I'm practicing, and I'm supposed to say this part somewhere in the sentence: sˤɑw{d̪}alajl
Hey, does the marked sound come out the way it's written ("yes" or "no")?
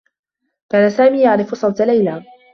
no